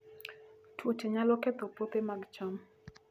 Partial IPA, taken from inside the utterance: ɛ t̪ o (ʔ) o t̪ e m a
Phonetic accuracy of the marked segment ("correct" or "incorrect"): incorrect